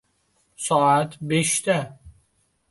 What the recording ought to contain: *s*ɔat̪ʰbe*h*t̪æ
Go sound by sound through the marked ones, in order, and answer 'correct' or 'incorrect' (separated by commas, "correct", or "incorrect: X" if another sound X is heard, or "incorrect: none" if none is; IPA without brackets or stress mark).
correct, incorrect: ʃ